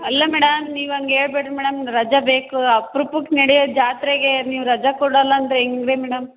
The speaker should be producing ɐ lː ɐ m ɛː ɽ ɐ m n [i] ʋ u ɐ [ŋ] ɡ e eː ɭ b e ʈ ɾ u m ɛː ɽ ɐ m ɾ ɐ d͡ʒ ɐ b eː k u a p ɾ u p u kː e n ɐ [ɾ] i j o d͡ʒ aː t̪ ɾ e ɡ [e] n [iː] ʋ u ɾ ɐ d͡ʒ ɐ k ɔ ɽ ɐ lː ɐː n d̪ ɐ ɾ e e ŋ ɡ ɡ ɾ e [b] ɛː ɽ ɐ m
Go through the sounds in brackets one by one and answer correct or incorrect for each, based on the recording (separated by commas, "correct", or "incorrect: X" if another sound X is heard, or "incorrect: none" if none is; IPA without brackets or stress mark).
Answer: incorrect: iː, correct, incorrect: ɽ, correct, correct, incorrect: m